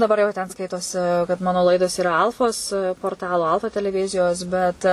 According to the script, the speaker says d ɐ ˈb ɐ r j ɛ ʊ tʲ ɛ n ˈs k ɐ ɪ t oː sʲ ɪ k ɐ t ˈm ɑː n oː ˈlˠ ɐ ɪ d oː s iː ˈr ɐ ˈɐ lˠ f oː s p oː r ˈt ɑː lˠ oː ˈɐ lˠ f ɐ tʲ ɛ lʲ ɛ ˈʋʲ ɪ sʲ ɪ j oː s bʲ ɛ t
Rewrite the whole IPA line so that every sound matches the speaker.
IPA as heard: d ɐ ˈb ɐ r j ɛ ʊ tʲ ɛ n ˈs k ɐ ɪ t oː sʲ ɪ k ɐ t ˈm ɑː n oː ˈlˠ ɐ ɪ d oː s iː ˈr ɐ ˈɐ lˠ f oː s p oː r ˈt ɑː lˠ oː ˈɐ lˠ f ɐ tʲ ɛ lʲ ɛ ˈʋʲ ɪ zʲ ɪ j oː s bʲ ɛ t